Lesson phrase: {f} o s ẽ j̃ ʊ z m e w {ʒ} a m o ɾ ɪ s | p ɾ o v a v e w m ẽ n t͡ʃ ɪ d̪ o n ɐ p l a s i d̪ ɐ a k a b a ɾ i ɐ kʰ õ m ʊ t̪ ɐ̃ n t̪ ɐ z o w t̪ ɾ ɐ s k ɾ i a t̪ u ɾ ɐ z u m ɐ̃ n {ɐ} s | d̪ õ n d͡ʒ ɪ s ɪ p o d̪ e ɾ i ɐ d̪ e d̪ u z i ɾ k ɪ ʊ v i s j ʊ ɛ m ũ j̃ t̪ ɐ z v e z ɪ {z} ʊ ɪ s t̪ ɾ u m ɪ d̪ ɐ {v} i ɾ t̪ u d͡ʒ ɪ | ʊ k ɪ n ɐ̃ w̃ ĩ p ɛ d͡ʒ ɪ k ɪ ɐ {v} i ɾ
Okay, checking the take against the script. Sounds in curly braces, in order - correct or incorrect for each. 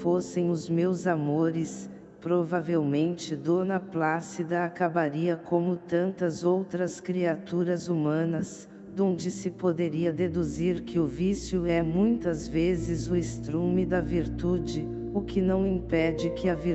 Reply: correct, incorrect: z, correct, correct, correct, correct

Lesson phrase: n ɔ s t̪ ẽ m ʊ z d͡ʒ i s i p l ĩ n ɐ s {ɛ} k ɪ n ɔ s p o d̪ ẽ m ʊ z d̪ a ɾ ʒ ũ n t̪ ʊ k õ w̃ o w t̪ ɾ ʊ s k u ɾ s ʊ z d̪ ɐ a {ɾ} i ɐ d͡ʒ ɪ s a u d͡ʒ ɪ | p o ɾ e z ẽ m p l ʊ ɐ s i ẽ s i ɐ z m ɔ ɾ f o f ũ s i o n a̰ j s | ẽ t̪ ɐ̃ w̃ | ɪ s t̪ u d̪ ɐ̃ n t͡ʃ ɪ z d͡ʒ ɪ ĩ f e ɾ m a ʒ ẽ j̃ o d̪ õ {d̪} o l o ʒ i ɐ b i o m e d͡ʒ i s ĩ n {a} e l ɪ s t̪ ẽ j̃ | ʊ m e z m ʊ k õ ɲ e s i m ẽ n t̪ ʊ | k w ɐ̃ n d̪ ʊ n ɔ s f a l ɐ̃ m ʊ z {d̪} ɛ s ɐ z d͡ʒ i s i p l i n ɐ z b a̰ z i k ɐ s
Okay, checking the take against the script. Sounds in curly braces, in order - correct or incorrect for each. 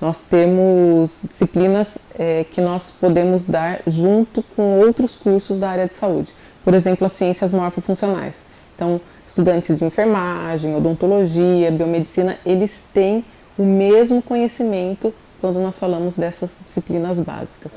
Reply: correct, correct, incorrect: t̪, incorrect: ɐ, correct

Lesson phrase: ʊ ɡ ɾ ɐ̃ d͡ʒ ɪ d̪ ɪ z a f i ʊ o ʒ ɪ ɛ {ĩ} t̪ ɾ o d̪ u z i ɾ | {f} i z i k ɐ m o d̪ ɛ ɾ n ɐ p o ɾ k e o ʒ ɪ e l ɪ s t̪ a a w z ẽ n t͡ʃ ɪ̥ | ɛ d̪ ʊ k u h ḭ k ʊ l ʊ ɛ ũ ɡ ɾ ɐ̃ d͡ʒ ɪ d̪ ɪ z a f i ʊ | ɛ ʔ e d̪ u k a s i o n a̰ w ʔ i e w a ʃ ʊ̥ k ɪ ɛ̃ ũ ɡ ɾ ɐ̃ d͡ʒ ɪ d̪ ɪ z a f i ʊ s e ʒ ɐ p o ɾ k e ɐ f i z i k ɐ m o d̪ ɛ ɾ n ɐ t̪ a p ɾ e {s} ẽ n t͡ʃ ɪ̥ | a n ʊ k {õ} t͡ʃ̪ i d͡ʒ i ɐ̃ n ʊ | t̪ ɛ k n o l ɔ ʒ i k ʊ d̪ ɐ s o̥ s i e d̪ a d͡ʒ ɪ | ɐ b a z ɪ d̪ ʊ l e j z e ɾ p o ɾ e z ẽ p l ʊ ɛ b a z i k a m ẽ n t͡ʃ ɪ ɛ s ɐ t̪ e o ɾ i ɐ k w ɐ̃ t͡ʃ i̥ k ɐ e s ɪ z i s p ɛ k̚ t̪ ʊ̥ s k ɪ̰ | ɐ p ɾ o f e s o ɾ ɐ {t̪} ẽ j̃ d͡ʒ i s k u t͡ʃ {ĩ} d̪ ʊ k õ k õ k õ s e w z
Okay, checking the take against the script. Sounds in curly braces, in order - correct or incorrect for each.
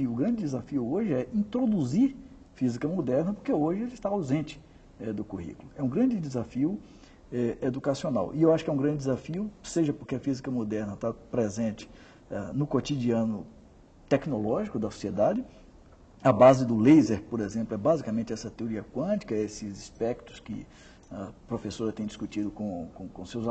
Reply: correct, correct, incorrect: z, incorrect: o, correct, incorrect: i

